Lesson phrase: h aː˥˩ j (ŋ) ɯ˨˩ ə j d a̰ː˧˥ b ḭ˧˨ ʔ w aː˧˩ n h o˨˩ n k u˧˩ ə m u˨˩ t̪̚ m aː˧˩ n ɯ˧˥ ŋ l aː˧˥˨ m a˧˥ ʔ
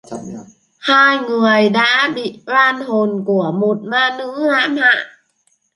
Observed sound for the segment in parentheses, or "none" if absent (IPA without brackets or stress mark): ŋ